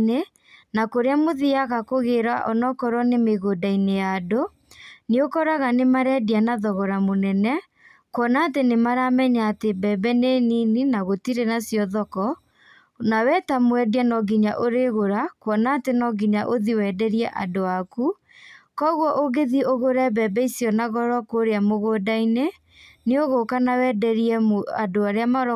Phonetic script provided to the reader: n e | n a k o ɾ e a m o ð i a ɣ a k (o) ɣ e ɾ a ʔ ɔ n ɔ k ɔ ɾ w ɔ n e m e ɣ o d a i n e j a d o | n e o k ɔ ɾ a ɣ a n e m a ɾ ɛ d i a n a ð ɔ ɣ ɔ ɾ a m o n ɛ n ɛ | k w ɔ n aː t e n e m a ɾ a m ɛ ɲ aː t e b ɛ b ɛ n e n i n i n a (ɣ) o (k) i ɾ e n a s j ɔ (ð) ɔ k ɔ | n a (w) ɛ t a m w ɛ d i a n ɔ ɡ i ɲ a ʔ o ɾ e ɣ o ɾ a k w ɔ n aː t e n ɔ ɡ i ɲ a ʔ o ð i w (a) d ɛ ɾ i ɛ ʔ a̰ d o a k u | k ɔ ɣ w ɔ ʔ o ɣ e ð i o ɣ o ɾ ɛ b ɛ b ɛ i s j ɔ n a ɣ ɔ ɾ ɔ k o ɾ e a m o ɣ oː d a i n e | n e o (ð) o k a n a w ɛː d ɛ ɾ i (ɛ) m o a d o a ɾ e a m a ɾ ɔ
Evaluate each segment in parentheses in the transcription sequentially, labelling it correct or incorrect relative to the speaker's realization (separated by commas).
correct, correct, incorrect, correct, correct, incorrect, incorrect, correct